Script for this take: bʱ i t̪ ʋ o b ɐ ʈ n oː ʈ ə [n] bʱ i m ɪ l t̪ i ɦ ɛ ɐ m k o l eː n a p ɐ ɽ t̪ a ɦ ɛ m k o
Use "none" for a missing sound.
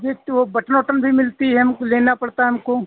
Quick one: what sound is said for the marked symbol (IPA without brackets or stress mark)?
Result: n